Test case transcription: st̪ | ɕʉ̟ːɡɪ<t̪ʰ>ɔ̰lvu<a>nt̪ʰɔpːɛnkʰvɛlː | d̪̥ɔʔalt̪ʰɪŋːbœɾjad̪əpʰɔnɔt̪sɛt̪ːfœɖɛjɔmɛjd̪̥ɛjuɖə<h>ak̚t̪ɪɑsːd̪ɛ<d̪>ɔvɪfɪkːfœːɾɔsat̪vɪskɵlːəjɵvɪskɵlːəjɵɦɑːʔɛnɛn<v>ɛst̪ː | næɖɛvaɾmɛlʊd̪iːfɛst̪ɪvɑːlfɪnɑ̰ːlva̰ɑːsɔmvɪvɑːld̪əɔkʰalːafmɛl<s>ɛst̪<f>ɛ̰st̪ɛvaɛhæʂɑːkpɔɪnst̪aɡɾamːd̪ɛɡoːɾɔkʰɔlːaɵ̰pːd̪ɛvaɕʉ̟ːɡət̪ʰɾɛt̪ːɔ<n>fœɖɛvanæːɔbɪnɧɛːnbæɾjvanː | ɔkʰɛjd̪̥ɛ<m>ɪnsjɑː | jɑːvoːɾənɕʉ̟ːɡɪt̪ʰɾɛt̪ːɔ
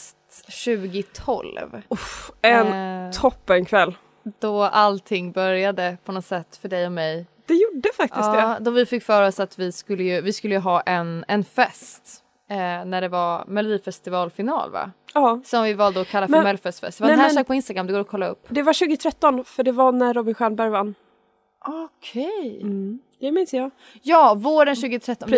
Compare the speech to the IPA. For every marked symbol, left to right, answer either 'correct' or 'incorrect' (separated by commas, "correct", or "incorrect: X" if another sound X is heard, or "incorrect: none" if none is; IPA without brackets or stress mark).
correct, incorrect: ɛ, incorrect: f, correct, incorrect: f, incorrect: f, correct, correct, correct